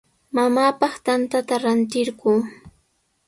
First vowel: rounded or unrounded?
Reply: unrounded